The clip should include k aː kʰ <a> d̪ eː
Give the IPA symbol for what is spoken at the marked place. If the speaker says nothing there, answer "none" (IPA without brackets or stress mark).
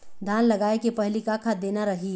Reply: a